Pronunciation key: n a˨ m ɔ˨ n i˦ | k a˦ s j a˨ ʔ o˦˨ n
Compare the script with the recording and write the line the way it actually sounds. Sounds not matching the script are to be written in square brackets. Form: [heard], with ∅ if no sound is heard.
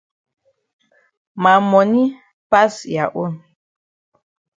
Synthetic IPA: [m] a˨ m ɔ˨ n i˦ | [p] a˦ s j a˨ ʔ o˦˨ n